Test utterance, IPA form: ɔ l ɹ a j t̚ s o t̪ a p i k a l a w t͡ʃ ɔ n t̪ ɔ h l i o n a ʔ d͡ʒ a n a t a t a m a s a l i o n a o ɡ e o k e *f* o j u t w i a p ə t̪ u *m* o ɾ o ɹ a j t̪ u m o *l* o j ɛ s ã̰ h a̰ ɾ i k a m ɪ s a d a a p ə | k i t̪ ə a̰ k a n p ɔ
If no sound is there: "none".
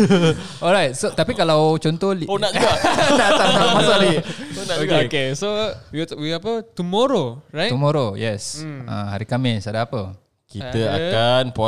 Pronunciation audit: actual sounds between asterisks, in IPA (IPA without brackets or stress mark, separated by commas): s, m, ɾ